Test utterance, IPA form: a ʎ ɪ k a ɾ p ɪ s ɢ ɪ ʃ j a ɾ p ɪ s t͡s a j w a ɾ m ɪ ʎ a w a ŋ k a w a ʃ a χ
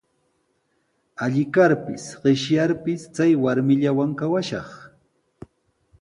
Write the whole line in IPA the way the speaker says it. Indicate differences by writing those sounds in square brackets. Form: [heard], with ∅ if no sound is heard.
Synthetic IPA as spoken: a ʎ ɪ k a ɾ p ɪ s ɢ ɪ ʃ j a ɾ p ɪ s t͡s a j w a ɾ m ɪ ʎ a w a ŋ k a w a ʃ [ɑ] χ